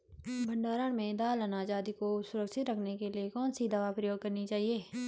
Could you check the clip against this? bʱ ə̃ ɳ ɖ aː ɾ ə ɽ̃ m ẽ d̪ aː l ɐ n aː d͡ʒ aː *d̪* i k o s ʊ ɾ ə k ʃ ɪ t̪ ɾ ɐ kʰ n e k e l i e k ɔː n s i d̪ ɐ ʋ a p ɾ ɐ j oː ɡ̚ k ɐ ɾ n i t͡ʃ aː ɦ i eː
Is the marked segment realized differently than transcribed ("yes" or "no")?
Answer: no